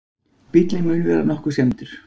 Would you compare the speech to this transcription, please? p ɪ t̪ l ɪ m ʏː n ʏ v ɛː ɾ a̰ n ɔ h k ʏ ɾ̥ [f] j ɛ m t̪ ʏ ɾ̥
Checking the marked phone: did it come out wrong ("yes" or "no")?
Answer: yes